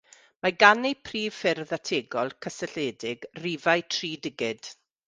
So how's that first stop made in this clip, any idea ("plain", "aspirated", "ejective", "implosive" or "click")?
plain